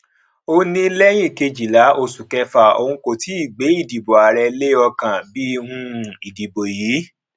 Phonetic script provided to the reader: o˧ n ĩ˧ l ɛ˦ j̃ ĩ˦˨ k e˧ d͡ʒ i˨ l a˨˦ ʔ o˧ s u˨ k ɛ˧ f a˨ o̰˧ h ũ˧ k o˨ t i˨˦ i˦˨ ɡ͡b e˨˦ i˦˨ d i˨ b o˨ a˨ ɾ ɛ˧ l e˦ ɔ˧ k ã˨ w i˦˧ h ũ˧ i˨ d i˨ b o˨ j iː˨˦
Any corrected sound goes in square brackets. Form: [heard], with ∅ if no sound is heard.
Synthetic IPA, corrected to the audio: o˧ n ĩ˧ l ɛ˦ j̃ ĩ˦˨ k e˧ d͡ʒ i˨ l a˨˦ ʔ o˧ s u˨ k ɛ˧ f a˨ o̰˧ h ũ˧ k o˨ t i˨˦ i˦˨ ɡ͡b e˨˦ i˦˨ d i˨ b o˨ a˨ ɾ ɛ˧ l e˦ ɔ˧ k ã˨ [b] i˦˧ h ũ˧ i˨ d i˨ b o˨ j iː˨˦